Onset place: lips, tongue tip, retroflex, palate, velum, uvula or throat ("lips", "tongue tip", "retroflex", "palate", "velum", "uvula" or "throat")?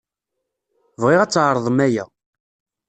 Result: lips